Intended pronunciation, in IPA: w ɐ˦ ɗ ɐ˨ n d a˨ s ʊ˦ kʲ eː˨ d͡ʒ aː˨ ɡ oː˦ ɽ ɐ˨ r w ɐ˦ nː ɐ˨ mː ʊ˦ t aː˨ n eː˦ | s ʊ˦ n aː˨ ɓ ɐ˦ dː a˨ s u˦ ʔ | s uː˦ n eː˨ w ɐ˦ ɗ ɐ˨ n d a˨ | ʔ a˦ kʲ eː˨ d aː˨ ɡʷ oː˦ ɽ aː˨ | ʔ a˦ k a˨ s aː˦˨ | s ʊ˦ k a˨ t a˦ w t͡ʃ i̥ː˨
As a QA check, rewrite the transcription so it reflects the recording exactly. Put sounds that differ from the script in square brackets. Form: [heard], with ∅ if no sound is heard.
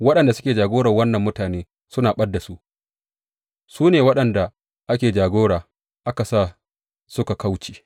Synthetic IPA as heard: w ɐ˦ ɗ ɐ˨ n d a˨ s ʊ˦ kʲ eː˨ d͡ʒ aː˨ ɡ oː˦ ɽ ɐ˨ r w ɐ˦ nː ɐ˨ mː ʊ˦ t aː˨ n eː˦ | s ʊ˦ n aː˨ ɓ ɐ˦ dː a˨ s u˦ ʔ | s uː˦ n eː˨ w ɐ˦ ɗ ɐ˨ n d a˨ | ʔ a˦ kʲ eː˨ [d͡ʒ] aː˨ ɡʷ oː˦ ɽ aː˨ | ʔ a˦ k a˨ s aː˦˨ | s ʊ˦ k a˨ [k] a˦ w t͡ʃ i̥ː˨